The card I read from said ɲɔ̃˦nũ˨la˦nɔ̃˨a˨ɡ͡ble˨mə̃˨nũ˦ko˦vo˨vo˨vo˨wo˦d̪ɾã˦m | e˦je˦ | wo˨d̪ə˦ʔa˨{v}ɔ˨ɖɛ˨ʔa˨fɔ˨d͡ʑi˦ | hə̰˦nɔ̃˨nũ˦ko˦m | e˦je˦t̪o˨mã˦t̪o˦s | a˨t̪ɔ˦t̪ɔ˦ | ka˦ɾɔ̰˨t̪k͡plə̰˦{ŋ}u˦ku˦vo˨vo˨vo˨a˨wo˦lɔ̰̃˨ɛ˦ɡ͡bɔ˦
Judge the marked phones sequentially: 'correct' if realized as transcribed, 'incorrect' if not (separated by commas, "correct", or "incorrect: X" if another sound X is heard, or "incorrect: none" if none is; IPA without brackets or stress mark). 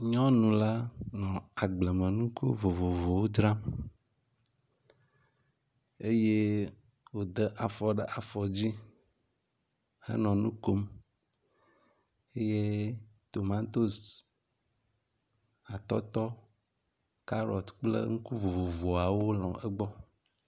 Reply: incorrect: f, correct